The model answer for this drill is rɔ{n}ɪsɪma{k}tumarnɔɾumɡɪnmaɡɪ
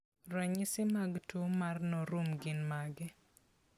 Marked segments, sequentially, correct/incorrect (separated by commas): incorrect, incorrect